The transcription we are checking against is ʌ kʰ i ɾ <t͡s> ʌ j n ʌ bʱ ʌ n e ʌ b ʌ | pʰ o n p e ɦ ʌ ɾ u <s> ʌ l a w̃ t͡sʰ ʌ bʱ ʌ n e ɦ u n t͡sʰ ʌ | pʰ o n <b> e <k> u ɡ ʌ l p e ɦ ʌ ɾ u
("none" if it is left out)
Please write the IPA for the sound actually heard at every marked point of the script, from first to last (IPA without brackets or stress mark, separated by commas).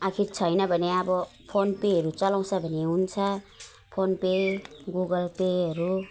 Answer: t͡sʰ, t͡s, p, ɡ